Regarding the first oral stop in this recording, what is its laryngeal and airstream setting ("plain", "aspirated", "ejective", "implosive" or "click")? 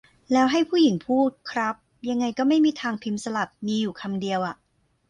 aspirated